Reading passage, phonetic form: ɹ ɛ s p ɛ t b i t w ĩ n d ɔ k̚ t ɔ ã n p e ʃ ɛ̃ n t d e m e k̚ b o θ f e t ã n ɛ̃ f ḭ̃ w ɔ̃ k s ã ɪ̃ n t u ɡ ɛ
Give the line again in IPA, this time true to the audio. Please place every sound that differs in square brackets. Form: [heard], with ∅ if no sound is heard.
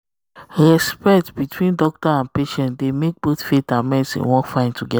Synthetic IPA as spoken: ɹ ɛ s p ɛ t b i t w ĩ n d ɔ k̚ t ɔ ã n p e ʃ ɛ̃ n t d e m e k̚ b o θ f e t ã [m] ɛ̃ [s] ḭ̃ w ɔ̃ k [f] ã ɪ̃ n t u ɡ ɛ

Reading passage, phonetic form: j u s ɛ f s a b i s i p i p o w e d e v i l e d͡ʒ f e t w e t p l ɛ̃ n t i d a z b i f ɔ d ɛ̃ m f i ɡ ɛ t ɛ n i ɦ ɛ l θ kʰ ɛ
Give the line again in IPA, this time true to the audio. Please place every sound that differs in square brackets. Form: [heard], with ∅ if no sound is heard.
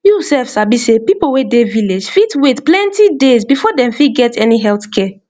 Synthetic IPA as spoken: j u s ɛ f s a b i s [e] p i p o w e d e v i l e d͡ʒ f [i] t w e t p l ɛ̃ n t i d [e] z b i f ɔ d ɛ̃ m f i ɡ ɛ t ɛ n i ɦ ɛ l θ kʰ ɛ

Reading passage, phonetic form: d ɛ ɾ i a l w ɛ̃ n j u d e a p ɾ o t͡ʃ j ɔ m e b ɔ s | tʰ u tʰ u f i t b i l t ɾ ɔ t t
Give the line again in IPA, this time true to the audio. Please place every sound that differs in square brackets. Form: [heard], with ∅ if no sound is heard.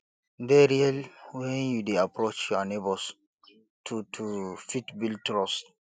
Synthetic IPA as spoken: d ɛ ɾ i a l w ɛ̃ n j u d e a p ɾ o t͡ʃ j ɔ [n] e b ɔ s | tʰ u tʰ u f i t b i l t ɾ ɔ [s] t

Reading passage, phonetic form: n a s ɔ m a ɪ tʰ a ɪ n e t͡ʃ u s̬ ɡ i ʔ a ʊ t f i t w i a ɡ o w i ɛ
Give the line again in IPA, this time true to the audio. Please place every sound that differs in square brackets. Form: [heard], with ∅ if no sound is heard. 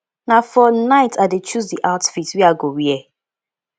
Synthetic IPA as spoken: n a [f] ɔ [n] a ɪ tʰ a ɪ [d] e t͡ʃ u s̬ [d] i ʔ a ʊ t f i t w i a ɡ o w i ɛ

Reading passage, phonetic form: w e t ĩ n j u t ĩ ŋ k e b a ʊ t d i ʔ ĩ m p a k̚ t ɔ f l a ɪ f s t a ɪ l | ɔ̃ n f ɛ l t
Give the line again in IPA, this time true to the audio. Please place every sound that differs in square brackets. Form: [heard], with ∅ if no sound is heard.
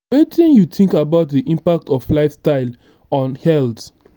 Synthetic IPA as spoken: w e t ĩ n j u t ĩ ŋ k [a] b a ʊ t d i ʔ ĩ m p a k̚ t ɔ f l a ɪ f s t a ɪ l | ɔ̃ n [h] ɛ l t

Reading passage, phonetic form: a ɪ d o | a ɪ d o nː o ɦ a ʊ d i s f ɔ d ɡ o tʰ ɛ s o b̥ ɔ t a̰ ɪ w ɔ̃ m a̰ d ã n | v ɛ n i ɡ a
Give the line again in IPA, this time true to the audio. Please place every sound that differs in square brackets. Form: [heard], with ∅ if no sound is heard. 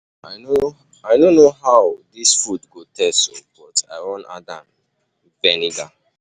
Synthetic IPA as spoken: a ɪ [n] o | a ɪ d o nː o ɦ a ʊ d i s f [u] d ɡ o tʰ ɛ s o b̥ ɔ t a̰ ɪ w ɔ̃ [n] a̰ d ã n | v ɛ n i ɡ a

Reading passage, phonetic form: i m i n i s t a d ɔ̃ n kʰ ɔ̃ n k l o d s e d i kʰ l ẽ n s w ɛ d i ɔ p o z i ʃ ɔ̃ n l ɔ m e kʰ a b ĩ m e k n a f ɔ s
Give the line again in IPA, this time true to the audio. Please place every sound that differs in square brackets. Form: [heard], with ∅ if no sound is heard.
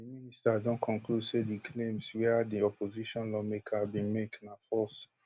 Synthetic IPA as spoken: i m i n i s t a d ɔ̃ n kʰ ɔ̃ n k l [u] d s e d i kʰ l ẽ [m] s w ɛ d i ɔ p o z i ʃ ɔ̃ n l ɔ m e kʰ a b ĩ m e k n a f ɔ s

